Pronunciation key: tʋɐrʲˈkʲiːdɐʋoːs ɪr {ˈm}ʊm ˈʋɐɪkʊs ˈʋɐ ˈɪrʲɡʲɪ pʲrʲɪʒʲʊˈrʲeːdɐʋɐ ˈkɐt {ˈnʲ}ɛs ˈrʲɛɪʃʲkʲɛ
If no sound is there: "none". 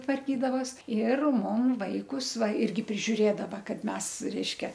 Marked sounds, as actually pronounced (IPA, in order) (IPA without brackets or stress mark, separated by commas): m, mʲ